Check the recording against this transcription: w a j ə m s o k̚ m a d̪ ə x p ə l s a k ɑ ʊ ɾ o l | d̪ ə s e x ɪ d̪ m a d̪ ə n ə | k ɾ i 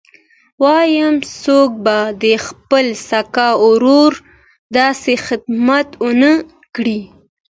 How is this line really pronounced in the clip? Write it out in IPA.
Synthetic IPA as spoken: w ɑ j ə m s o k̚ b a d̪ ə x p ə l s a k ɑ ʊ ɾ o ɾ | d̪ ɑ s e x ɪ d̪ m a t̪ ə n ə | k ɽ i